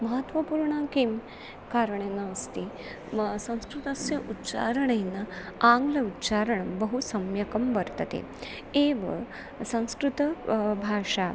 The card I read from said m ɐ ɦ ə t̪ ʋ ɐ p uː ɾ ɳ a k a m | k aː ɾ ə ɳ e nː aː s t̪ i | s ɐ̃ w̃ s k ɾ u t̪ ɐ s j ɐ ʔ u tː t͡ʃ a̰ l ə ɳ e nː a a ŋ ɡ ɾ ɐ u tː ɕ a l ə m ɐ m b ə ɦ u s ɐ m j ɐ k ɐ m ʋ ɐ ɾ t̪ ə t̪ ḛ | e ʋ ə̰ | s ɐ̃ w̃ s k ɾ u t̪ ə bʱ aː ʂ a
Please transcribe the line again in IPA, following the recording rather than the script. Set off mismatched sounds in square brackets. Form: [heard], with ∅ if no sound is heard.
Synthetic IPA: m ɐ ɦ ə t̪ ʋ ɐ p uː ɾ ɳ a k [i] m | k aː ɾ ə ɳ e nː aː s t̪ i | s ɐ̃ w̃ s k ɾ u t̪ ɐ s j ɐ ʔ u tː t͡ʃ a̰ [ɾ] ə ɳ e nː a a ŋ ɡ [l] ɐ u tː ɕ a [ɾ] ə [ɳ] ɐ m b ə ɦ u s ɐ m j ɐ k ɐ m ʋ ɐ ɾ t̪ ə t̪ ḛ | e ʋ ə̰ | s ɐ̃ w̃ s k ɾ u t̪ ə bʱ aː ʂ a